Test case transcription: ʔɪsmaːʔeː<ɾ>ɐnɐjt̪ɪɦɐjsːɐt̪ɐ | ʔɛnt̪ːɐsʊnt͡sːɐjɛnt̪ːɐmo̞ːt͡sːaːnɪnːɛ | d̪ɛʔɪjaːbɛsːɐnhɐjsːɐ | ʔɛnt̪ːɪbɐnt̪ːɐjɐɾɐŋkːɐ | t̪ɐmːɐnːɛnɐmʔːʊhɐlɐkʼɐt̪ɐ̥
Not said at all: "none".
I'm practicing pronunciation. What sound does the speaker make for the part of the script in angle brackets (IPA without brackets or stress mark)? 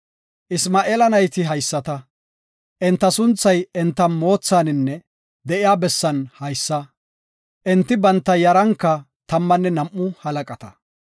l